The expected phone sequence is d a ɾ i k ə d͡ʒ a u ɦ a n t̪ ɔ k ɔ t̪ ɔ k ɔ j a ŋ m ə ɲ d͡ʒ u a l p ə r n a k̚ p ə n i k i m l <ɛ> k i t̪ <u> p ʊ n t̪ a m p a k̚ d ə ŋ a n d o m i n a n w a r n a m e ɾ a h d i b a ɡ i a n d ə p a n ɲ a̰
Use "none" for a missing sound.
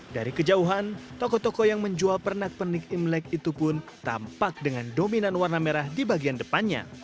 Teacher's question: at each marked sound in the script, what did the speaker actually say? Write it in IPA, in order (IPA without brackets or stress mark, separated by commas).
ɛ, u